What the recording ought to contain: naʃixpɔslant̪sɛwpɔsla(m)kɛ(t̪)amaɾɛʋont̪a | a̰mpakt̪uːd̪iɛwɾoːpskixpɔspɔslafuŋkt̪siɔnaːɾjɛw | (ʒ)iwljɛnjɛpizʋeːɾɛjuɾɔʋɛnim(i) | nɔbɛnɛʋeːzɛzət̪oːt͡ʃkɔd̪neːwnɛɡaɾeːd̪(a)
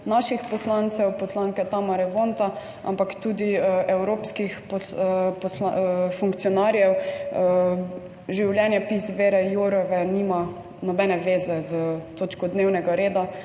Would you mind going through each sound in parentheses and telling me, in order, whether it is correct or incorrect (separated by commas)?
incorrect, correct, correct, incorrect, correct